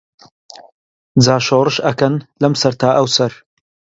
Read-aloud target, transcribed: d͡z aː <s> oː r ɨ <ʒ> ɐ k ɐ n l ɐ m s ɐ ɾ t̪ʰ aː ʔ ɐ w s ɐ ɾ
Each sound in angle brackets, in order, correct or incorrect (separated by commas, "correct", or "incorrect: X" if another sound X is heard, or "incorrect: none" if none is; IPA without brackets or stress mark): incorrect: ʃ, incorrect: ʃ